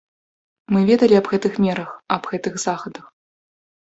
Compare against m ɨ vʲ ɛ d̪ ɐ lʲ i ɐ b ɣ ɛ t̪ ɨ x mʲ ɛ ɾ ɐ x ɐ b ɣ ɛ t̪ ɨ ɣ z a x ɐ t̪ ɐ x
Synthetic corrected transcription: m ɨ vʲ ɛ d̪ ɐ lʲ i ɐ b ɣ ɛ t̪ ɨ x mʲ ɛ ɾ ɐ x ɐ b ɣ ɛ t̪ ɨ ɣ z a x ɐ d̪ ɐ x